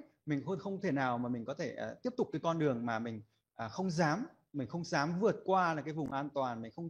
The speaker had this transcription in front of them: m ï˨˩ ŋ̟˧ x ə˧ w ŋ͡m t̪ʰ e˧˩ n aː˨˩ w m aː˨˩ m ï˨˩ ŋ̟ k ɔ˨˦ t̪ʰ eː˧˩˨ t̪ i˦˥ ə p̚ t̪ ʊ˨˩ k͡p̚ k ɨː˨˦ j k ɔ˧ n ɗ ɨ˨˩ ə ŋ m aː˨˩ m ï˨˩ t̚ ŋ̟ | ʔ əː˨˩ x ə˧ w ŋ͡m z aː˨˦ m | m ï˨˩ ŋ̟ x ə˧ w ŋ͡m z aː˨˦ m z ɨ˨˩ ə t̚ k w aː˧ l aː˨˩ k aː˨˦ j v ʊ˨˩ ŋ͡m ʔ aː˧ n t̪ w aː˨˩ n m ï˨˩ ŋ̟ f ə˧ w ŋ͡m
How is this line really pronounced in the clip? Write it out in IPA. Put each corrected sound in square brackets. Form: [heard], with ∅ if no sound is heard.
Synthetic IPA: m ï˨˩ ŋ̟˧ x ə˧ w ŋ͡m t̪ʰ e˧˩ n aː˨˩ w m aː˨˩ m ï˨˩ ŋ̟ k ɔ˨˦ t̪ʰ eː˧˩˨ t̪ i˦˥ ə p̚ t̪ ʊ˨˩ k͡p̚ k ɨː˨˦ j k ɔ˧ n ɗ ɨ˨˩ ə ŋ m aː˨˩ m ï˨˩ [∅] ŋ̟ | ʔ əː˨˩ x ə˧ w ŋ͡m z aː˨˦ m | m ï˨˩ ŋ̟ x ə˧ w ŋ͡m z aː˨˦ m [v] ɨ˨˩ ə t̚ k w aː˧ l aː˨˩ k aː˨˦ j v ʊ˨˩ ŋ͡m ʔ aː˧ n t̪ w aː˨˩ n m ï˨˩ ŋ̟ [x] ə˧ w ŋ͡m